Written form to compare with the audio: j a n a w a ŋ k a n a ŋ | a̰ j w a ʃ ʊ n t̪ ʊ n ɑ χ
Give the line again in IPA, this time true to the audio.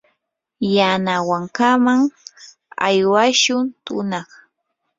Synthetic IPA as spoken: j a n a w a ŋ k a m a ŋ | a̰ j w a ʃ ʊ n t̪ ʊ n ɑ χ